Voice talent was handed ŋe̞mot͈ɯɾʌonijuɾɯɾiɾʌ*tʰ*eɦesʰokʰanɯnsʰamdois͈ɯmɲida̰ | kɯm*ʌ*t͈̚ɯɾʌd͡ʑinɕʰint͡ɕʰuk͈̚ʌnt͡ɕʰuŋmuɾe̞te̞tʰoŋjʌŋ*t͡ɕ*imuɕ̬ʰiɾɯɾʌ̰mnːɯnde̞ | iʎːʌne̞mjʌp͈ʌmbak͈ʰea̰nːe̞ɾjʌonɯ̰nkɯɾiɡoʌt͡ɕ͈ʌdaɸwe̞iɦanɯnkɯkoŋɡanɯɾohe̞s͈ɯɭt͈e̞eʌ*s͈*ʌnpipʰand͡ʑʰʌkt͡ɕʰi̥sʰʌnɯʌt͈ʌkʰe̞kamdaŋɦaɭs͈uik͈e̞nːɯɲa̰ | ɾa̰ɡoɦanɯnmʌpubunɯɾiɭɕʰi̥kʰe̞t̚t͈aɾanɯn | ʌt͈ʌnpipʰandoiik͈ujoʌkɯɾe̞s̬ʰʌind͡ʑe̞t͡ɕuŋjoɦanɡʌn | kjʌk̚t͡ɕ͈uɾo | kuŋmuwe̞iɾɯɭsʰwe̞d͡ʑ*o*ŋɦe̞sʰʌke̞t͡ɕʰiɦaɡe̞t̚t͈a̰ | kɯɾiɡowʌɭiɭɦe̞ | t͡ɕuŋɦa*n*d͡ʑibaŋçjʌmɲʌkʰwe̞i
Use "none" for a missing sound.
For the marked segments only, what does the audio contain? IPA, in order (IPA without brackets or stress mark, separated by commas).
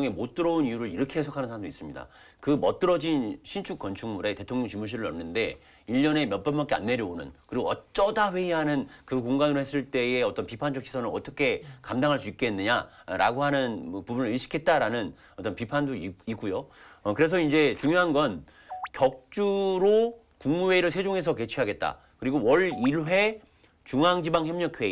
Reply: kʰ, ʌ, t͡ɕ, t͈, o, ŋ